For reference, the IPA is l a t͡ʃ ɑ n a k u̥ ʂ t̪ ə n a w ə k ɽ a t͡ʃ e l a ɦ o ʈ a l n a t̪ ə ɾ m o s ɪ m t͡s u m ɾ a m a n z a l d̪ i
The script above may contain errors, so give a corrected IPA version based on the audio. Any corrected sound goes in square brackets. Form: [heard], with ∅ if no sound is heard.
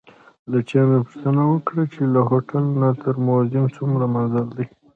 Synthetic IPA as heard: l a t͡ʃ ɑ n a [p] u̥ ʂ t̪ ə n a w ə k ɽ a t͡ʃ e l a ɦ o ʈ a l n a t̪ ə ɾ m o [z] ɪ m t͡s u m ɾ a m a n z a l d̪ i